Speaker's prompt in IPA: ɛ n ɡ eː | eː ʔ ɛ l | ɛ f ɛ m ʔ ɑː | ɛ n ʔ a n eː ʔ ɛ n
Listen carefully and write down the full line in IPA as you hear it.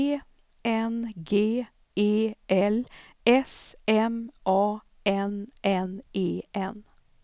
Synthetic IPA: ɛ n ɡ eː | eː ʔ ɛ l | ɛ s ɛ m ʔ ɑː | ɛ n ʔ ɛ n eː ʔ ɛ n